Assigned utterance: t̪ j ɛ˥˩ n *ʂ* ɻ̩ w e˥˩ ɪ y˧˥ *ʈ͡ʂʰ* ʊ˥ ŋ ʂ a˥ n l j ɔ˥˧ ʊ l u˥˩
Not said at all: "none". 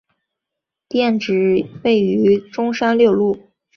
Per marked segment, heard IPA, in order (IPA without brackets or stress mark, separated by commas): ʈ͡ʂ, ʈ͡ʂ